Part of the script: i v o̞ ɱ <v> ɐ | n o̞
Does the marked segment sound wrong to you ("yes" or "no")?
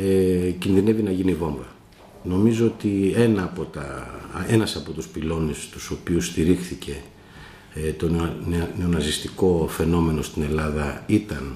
no